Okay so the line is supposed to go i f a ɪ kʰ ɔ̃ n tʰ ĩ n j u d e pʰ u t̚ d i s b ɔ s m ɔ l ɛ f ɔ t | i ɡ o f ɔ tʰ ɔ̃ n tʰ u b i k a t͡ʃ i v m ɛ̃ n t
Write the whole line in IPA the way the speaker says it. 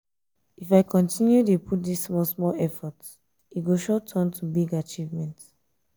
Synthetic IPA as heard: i f a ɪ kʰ ɔ̃ n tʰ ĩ n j u d e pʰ u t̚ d i s m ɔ s m ɔ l ɛ f ɔ t | i ɡ o ʃ ɔ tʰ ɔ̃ n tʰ u b i ɡ a t͡ʃ i v m ɛ̃ n t